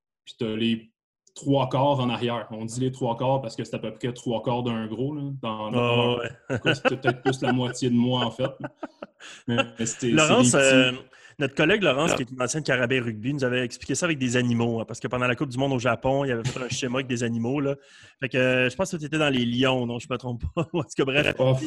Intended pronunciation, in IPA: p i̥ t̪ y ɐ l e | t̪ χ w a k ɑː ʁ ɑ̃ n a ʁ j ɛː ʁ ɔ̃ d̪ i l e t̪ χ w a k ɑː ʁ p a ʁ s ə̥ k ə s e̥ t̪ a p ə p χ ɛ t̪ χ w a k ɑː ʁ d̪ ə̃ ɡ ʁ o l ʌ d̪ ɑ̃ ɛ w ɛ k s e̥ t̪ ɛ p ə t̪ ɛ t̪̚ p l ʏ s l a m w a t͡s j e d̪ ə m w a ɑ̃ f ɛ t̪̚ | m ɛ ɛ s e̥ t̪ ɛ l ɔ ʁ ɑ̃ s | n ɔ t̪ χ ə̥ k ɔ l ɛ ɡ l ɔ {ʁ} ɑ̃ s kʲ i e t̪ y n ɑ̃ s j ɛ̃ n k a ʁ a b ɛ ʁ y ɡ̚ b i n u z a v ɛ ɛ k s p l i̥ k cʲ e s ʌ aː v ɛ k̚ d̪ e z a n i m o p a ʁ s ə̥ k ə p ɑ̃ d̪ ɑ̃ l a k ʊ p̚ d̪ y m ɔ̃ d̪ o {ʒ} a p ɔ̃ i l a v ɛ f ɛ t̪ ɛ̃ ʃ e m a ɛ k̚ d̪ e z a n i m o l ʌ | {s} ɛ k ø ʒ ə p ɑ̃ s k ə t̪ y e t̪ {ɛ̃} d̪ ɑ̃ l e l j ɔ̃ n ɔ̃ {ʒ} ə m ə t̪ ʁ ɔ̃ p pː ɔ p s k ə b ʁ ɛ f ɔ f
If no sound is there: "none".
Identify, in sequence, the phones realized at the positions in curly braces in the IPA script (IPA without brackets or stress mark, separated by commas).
ʁ, ʒ, f, ɛ, ʒ